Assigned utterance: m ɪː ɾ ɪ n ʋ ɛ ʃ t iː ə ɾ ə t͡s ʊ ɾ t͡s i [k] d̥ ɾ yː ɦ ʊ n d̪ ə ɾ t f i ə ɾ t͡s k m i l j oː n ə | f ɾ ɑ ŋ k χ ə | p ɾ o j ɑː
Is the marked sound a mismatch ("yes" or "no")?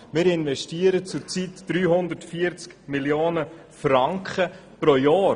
yes